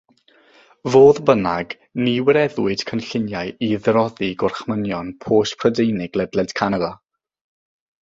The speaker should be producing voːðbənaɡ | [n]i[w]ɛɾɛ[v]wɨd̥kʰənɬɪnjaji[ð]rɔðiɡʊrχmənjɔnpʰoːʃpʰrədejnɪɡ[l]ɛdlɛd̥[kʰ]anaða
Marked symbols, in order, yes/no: yes, yes, no, yes, yes, yes

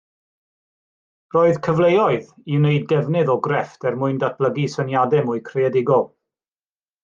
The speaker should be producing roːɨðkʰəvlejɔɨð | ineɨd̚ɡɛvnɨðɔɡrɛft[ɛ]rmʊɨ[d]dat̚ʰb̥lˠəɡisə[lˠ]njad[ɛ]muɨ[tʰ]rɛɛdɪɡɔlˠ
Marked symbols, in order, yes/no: yes, no, no, yes, no

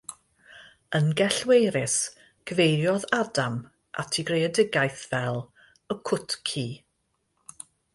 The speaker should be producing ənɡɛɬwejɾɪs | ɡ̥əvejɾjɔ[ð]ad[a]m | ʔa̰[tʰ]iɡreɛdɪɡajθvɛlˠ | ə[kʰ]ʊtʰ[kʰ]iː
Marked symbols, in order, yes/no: yes, yes, yes, yes, yes

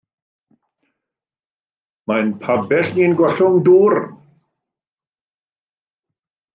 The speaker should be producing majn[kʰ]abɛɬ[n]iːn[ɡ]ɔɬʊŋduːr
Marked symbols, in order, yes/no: no, yes, yes

